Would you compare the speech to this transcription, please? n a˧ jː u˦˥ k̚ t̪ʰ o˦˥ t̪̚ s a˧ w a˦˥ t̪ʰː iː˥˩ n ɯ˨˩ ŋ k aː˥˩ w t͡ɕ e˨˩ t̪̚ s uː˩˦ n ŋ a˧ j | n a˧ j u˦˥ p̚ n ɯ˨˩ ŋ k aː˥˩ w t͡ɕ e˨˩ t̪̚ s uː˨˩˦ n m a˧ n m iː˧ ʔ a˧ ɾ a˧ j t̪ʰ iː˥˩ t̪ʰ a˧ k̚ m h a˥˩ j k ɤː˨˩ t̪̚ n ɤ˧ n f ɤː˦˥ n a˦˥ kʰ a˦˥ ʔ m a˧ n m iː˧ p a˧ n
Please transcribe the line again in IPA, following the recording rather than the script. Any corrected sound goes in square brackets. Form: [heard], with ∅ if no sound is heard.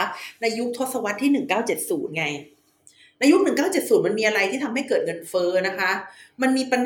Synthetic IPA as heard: n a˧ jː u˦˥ k̚ t̪ʰ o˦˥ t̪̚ s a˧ w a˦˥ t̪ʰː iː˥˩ n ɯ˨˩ ŋ k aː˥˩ w t͡ɕ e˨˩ t̪̚ s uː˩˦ n ŋ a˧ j | n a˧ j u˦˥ [k̚] n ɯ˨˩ ŋ k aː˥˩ w t͡ɕ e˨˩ t̪̚ s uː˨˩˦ n m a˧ n m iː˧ ʔ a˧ ɾ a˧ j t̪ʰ iː˥˩ t̪ʰ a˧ [∅] m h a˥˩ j k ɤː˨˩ t̪̚ [ŋ] ɤ˧ n f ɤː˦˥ n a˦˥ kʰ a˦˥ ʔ m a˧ n m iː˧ p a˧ n